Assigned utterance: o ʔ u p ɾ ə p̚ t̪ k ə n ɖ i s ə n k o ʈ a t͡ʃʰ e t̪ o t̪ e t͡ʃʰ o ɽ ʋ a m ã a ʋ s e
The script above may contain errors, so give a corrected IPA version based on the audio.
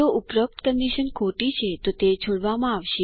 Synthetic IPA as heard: o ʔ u p ɾ ə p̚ t̪ k ə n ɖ i ʃ ə n kʰ o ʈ i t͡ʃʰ e t̪ o t̪ e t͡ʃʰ o ɽ ʋ a m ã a ʋ ʃ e